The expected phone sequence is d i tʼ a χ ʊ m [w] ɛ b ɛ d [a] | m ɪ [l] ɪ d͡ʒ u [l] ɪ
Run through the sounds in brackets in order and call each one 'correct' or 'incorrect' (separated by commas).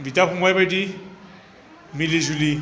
correct, incorrect, correct, correct